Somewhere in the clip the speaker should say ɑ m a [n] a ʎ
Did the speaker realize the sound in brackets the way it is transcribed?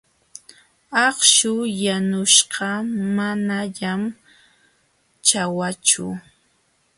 yes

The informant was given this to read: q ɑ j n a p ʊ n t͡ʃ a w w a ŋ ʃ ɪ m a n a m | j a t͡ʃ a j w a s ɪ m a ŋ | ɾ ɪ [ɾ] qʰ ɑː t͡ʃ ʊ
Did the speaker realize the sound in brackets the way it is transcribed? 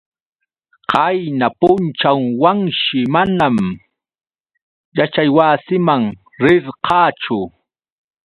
yes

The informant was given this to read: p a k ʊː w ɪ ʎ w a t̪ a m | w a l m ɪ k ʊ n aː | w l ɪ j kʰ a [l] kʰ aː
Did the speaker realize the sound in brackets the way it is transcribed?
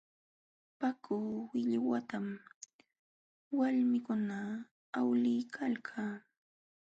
yes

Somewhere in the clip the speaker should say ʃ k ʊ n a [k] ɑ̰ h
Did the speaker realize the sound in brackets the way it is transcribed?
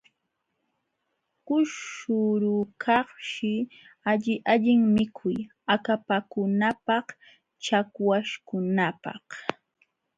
no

